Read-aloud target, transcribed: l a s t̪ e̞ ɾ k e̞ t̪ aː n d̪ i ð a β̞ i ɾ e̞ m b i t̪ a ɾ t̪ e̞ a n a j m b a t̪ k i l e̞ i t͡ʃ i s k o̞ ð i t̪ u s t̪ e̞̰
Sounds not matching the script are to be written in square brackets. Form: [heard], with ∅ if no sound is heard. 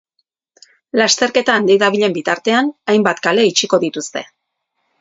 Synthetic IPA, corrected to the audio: l a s t̪ e̞ ɾ k e̞ t̪ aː n d̪ i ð a β̞ i [ʎ] e̞ m b i t̪ a ɾ t̪ e̞ a n a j m b a t̪ k [a] l e̞ i t͡ʃ i [∅] k o̞ ð i t̪ u s t̪ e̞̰

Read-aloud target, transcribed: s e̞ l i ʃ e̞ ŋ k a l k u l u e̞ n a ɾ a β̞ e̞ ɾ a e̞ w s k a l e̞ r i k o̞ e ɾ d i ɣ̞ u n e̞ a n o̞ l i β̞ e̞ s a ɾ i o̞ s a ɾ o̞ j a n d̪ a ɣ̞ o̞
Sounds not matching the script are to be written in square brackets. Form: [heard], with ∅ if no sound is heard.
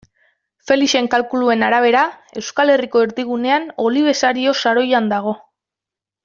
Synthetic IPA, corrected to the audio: [f] e̞ l i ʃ e̞ ŋ k a l k u l u e̞ n a ɾ a β̞ e̞ ɾ a e̞ w s k a l e̞ r i k o̞ e ɾ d i ɣ̞ u n e̞ a n o̞ l i β̞ e̞ s a ɾ i o̞ s a ɾ o̞ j a n d̪ a ɣ̞ o̞

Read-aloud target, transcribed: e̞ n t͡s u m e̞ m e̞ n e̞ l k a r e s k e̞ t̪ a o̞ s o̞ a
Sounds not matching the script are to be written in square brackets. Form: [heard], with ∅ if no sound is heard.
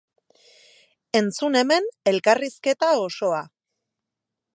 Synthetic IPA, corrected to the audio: e̞ n t͡s u [n] e̞ m e̞ n e̞ l k a r [i] s k e̞ t̪ a o̞ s o̞ a

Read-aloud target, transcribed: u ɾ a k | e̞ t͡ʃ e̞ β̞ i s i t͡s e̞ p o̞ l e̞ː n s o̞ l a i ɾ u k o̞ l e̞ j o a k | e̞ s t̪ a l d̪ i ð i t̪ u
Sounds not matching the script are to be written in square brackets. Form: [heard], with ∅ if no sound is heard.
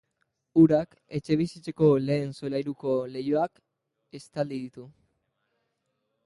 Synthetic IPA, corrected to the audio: u ɾ a k | e̞ t͡ʃ e̞ β̞ i s i t͡s e̞ [k] o̞ l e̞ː n s o̞ l a [j] ɾ u k o̞ l e̞ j o a k | e̞ s t̪ a l d̪ i ð i t̪ u

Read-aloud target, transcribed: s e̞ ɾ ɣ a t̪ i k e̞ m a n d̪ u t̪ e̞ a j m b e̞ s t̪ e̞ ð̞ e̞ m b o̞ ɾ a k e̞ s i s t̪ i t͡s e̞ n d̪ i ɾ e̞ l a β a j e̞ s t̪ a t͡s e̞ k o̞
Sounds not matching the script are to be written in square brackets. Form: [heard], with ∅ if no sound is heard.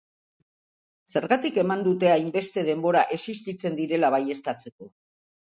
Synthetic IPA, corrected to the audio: s e̞ ɾ ɣ a t̪ i k e̞ m a n d̪ u t̪ e̞ a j m b e̞ s t̪ e̞ ð̞ e̞ m b o̞ ɾ a [ʔ] e̞ s i s t̪ i t͡s e̞ n d̪ i ɾ e̞ l a β a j e̞ s t̪ a t͡s e̞ k o̞

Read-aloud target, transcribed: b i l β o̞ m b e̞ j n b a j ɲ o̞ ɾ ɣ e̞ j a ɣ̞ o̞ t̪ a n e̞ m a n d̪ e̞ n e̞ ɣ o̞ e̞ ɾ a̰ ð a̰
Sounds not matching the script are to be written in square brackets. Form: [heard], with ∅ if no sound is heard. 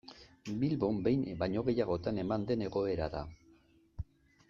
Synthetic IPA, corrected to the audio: b i l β o̞ m b e̞ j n b a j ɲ o̞ [∅] ɣ e̞ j a ɣ̞ o̞ t̪ a n e̞ m a n d̪ e̞ n e̞ ɣ o̞ e̞ ɾ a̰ ð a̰

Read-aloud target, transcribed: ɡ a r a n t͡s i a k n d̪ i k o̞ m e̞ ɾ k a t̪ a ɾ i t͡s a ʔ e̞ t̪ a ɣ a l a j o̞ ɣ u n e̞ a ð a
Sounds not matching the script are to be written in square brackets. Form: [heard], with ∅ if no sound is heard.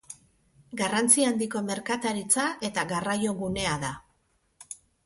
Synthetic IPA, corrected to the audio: ɡ a r a n t͡s i a [∅] n d̪ i k o̞ m e̞ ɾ k a t̪ a ɾ i t͡s a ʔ e̞ t̪ a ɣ a [r] a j o̞ ɣ u n e̞ a ð a

